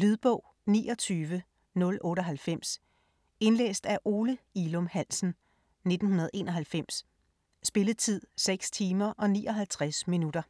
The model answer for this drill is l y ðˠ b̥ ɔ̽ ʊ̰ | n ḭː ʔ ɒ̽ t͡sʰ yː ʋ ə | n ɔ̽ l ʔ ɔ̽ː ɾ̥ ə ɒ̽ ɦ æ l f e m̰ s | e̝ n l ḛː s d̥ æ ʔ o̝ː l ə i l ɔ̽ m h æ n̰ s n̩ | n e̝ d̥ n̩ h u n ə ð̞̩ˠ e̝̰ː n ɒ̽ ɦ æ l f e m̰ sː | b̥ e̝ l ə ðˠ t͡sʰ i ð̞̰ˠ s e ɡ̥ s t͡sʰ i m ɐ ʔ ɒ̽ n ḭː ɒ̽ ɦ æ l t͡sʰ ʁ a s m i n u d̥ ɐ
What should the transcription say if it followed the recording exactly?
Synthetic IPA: l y ðˠ b̥ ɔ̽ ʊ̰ | n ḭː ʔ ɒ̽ t͡sʰ yː ʋ ə | n ɔ̽ l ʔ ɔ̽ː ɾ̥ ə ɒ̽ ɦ æ l f e m̰ s | e̝ n l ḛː s d̥ æ ʔ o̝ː l ə i l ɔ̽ m h æ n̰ s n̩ | n e̝ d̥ n̩ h u n ɐ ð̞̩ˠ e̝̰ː n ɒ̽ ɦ æ l f e m̰ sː | b̥ e̝ l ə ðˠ t͡sʰ i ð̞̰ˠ s e ɡ̥ s t͡sʰ iː m ɐ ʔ ɒ̽ n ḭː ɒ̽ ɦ æ l t͡sʰ ʁ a s m i n u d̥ ɐ